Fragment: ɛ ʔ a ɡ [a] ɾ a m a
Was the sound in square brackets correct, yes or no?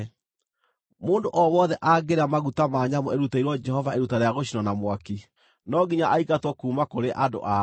no